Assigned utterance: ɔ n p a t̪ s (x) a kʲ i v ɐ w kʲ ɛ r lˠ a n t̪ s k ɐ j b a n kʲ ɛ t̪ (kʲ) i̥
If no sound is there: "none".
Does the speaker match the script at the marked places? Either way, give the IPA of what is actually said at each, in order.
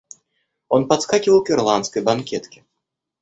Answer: k, kʲ

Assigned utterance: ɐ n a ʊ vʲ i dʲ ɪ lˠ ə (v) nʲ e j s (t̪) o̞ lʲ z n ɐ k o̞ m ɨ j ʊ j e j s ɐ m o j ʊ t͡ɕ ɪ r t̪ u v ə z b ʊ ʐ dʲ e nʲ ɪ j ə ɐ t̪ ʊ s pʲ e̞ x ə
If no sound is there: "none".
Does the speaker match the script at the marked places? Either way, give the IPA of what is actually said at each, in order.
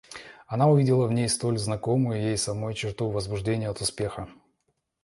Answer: v, t̪

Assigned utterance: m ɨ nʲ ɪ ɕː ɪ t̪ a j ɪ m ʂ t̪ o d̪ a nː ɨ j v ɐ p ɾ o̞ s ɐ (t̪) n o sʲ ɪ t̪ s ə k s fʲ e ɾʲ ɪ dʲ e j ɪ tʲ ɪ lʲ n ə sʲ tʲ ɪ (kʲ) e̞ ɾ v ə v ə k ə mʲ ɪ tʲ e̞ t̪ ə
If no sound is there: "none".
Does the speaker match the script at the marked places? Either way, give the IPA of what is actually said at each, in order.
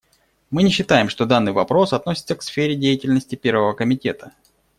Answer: t̪, pʲ

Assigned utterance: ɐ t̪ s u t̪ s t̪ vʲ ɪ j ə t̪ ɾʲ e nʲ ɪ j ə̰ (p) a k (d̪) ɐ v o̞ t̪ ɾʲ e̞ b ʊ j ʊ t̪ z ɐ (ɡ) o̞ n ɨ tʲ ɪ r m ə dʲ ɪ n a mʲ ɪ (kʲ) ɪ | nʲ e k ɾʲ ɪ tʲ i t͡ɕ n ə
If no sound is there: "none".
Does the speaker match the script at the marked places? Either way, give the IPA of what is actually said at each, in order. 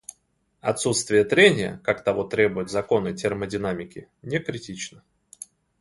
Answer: k, t̪, k, kʲ

